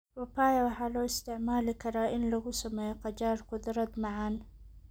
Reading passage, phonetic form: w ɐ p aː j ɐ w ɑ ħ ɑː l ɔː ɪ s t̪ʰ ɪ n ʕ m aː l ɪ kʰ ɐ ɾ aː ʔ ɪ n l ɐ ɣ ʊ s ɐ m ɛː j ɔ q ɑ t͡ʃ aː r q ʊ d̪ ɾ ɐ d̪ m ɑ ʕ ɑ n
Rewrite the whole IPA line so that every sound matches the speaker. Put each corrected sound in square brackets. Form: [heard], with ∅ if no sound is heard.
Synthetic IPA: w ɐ p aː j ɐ w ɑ ħ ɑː l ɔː ɪ s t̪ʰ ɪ [∅] ʕ m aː l ɪ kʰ ɐ ɾ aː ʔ ɪ n l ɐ ɣ ʊ s ɐ m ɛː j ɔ q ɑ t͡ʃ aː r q ʊ d̪ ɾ ɐ d̪ m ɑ ʕ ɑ n